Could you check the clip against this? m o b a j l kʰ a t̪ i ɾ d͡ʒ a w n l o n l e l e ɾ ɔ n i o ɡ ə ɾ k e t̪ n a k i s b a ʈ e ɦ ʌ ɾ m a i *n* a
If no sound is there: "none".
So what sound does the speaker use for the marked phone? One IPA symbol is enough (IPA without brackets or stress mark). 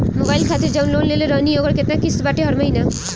n